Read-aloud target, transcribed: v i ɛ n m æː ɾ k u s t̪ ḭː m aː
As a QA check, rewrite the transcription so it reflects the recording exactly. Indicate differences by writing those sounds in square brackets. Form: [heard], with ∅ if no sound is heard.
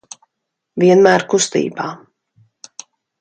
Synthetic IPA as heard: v i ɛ n m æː ɾ k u s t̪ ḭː [b] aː